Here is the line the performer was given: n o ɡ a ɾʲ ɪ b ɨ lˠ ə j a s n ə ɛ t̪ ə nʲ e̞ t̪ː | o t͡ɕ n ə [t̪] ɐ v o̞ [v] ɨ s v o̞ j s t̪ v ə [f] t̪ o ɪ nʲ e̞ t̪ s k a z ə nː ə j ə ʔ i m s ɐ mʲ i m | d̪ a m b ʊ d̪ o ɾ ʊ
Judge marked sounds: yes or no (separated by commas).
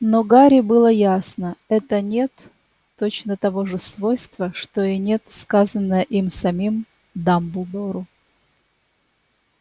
yes, no, no